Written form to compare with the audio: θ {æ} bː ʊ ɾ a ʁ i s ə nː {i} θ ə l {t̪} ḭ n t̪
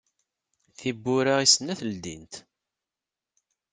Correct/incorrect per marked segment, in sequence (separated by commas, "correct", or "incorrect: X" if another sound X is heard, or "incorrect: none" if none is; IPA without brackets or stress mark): incorrect: i, incorrect: æ, incorrect: d̪